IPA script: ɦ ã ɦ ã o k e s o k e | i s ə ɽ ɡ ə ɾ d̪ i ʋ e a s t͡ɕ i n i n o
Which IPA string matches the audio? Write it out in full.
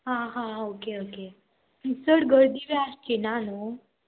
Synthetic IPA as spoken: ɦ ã ɦ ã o k e o k e | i s ə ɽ ɡ ə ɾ d̪ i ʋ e a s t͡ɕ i n a n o